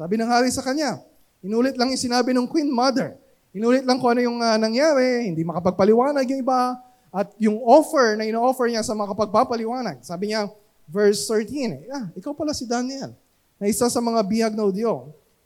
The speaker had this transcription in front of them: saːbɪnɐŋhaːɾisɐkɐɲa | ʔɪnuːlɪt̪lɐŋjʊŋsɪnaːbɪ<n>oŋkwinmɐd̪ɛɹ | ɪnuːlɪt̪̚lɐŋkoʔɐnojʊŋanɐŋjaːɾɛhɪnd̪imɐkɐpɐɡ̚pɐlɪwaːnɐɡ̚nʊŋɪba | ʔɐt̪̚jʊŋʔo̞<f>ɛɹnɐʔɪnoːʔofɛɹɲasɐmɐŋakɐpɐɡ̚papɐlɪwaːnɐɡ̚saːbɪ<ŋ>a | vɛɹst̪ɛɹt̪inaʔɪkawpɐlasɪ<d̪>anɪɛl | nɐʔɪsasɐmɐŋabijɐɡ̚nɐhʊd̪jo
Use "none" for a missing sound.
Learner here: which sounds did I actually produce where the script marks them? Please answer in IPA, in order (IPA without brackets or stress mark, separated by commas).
n, f, ɲ, d̪